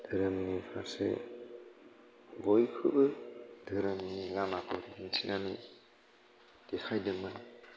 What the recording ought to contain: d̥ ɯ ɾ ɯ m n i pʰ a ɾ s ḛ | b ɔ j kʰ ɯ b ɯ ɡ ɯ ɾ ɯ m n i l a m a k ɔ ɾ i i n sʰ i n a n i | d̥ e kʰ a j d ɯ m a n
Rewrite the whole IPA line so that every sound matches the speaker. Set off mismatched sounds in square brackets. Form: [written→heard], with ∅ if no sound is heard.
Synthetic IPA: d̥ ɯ ɾ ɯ m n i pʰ a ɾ s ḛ | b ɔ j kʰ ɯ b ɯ [ɡ→d] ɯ ɾ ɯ m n i l a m a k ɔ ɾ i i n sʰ i n a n i | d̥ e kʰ a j d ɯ m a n